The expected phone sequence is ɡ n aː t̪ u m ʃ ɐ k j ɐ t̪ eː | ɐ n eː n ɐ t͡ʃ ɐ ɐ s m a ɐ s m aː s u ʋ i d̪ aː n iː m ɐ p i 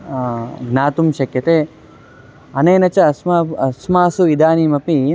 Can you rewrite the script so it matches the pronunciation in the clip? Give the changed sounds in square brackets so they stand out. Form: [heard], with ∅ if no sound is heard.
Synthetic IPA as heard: ɡ n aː t̪ u m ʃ ɐ k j ɐ t̪ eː | ɐ n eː n ɐ t͡ʃ ɐ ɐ s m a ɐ s m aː s u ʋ i d̪ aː n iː m ɐ p i

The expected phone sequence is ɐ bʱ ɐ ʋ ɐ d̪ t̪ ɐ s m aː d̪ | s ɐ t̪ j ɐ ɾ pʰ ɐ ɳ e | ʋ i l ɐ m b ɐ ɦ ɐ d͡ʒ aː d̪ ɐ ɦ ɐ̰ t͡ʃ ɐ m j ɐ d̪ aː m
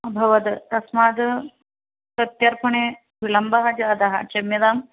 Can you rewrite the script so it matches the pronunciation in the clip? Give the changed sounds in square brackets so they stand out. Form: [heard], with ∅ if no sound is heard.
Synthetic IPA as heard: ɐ bʱ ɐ ʋ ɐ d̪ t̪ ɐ s m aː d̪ | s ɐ t̪ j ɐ ɾ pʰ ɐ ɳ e | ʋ i l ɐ m b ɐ ɦ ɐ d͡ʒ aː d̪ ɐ ɦ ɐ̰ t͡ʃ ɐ m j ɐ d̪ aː m

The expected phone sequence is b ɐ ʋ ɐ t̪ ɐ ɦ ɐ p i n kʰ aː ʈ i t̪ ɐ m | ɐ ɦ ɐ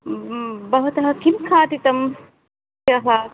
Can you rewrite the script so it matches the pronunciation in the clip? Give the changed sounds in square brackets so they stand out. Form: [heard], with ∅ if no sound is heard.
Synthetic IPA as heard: b ɐ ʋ ɐ t̪ ɐ ɦ ɐ [k] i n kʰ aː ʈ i t̪ ɐ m | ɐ ɦ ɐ

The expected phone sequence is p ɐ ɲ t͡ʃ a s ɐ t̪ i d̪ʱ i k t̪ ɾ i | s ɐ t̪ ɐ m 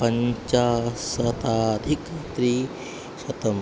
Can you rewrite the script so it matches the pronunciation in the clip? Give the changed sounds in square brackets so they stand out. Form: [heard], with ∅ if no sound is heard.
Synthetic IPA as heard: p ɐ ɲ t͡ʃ a s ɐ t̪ [a] d̪ʱ i k t̪ ɾ i | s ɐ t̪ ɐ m

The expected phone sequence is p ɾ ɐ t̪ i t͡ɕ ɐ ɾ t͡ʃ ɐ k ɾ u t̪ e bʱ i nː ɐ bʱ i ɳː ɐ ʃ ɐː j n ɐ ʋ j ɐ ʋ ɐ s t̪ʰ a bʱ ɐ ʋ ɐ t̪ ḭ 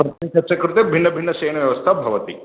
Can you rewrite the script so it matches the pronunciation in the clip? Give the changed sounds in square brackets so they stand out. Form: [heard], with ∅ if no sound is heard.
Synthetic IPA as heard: p ɾ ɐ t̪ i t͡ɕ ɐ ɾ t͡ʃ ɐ k ɾ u t̪ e bʱ i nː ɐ bʱ i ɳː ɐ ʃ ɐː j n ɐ ʋ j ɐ ʋ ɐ s t̪ʰ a bʱ ɐ ʋ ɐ t̪ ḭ

